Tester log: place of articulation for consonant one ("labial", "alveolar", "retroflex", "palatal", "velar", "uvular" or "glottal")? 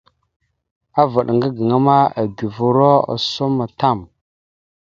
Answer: labial